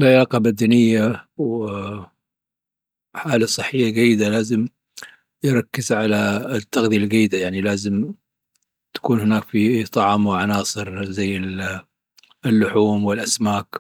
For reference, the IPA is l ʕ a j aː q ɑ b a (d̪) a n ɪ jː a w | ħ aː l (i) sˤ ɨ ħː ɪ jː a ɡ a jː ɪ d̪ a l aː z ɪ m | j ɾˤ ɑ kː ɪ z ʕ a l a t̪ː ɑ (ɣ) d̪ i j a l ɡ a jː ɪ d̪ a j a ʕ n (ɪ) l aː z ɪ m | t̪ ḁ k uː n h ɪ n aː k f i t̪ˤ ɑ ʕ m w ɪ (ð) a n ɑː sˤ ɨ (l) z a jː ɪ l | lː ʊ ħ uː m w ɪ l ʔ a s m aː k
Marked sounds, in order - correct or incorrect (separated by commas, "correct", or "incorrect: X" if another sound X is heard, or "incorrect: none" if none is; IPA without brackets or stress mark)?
correct, incorrect: a, correct, incorrect: i, incorrect: ʕ, incorrect: ɾ